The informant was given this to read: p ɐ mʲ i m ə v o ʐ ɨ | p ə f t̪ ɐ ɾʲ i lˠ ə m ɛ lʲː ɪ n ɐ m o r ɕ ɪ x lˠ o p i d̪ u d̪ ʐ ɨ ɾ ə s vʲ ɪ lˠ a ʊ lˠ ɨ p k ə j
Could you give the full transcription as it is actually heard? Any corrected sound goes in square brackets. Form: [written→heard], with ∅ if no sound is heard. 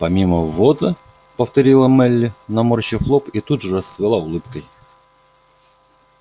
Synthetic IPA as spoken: p ɐ mʲ i m ə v o [ʐ→z] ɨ | p ə f t̪ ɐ ɾʲ i lˠ ə m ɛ lʲː ɪ n ɐ m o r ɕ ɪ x lˠ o p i [d̪→t̪] u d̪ ʐ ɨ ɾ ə s vʲ ɪ lˠ a ʊ lˠ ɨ p k ə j